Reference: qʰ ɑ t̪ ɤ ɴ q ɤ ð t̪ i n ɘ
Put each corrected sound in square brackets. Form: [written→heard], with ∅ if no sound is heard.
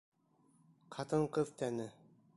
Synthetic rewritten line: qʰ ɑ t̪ ɤ ɴ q ɤ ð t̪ [i→æ] n ɘ